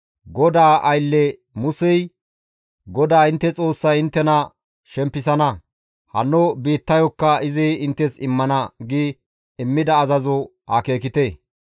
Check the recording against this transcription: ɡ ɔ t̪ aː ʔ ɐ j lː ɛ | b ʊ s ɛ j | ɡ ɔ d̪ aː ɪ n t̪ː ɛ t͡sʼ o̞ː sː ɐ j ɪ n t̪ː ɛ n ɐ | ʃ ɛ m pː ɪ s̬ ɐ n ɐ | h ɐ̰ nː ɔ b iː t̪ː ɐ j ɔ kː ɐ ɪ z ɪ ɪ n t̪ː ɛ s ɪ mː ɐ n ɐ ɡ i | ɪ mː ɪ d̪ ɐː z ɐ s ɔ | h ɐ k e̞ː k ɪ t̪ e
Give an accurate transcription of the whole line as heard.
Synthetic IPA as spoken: ɡ ɔ d̪ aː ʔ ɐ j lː ɛ | m ʊ s ɛ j | ɡ ɔ d̪ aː ɪ n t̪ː ɛ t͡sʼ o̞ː sː ɐ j ɪ n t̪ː ɛ n ɐ | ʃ ɛ m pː ɪ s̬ ɐ n ɐ | h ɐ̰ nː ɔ b iː t̪ː ɐ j ɔ kː ɐ ɪ z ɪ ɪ n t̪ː ɛ s ɪ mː ɐ n ɐ ɡ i | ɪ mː ɪ d̪ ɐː z ɐ z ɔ | h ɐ k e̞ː k ɪ t̪ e